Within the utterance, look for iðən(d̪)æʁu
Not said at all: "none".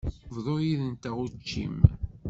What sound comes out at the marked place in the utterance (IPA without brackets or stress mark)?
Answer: t̪